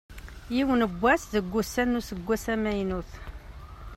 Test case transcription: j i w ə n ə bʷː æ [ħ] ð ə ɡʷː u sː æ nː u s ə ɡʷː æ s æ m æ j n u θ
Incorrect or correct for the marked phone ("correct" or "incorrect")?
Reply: incorrect